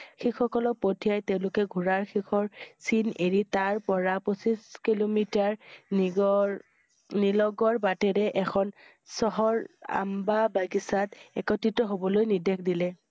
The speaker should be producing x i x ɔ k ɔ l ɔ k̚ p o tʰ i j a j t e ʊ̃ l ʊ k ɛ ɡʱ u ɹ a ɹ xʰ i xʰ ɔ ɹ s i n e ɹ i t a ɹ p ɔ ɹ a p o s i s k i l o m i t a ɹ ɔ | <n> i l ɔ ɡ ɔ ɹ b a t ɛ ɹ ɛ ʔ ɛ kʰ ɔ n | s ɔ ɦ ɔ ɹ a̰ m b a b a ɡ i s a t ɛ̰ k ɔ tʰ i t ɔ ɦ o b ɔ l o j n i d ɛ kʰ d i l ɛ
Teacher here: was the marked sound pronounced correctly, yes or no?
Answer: yes